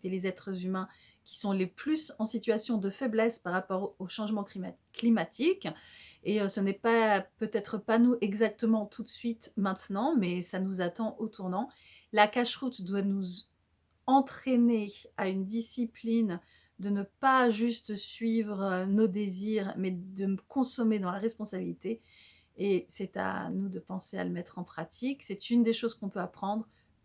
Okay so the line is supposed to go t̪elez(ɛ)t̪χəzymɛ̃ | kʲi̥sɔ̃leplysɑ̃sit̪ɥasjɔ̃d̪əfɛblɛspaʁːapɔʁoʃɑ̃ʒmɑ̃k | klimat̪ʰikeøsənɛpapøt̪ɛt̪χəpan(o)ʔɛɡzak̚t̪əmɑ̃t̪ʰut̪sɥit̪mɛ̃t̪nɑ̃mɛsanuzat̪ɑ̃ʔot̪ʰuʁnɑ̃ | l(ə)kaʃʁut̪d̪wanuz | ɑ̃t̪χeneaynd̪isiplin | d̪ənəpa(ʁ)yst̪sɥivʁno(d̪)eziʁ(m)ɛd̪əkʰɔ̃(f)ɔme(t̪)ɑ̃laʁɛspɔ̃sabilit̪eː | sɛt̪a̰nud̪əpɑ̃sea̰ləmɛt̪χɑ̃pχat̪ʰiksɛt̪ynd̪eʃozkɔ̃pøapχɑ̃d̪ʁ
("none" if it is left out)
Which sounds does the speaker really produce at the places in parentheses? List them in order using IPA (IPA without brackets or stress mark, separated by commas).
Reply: ɛ, u, a, ʒ, d̪, m, s, d̪